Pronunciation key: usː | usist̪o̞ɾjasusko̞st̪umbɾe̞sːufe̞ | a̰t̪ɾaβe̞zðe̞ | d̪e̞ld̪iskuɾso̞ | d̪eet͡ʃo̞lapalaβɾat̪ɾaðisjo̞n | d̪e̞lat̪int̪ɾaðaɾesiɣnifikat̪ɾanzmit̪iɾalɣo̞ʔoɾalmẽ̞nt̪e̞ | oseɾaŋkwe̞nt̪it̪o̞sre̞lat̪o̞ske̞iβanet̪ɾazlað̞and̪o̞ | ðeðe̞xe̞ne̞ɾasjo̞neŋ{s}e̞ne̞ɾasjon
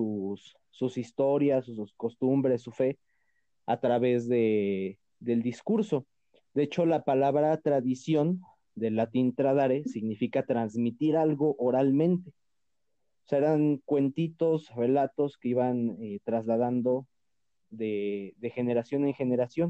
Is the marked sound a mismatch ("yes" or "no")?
yes